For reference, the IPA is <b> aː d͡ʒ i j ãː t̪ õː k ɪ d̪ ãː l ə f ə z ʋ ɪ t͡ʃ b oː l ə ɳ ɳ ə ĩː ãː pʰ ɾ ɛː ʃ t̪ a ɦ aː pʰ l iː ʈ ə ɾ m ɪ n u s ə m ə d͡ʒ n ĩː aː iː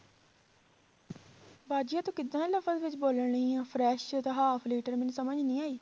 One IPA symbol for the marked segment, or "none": b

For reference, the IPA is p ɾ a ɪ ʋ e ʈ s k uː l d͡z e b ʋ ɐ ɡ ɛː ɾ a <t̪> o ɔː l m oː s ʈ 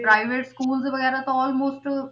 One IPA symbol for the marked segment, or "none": t̪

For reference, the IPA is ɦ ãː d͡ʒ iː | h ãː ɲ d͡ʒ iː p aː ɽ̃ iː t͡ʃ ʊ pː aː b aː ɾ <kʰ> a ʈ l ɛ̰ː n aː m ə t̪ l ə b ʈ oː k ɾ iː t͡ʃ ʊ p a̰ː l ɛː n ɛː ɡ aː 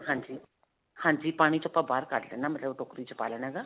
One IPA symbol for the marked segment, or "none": k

